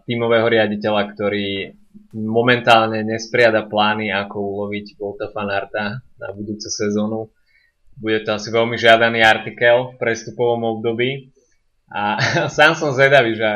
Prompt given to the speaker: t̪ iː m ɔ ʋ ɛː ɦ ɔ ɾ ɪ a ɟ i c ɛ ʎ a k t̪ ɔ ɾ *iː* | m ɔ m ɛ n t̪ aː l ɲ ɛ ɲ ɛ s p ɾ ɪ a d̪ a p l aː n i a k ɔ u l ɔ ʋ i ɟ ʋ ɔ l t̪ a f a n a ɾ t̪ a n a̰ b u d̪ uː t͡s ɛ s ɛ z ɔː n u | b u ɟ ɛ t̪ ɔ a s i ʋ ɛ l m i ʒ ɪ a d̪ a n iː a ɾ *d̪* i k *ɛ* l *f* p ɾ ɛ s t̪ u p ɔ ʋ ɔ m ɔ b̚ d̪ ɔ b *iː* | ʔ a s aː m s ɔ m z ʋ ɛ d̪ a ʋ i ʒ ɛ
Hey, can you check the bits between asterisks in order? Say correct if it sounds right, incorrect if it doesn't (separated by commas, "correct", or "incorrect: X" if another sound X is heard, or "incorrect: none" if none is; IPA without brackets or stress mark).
correct, incorrect: t̪, correct, correct, correct